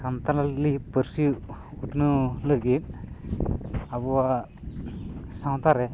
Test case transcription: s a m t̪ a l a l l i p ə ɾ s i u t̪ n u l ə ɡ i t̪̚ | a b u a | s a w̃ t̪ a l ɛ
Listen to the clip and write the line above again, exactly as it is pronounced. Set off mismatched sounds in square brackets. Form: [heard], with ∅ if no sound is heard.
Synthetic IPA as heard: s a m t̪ a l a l l i p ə ɾ s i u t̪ n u l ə ɡ i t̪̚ | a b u a | s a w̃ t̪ a [ɾ] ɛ